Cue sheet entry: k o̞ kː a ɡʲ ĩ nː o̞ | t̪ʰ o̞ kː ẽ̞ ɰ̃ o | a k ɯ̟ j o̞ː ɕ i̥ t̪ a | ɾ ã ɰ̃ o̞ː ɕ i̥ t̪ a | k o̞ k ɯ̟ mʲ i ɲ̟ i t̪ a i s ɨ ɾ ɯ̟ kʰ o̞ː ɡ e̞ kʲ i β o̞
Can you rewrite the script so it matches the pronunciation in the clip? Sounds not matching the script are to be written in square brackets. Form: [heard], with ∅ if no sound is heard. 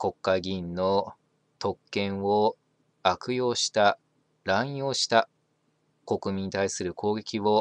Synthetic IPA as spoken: k o̞ kː a ɡʲ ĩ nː o̞ | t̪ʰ o̞ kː ẽ̞ ɰ̃ o | a k ɯ̟ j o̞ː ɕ i̥ t̪ a | ɾ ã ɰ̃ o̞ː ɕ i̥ t̪ a | k o̞ k ɯ̟ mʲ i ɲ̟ i t̪ a i s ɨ ɾ ɯ̟ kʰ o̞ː ɡ e̞ kʲ i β o̞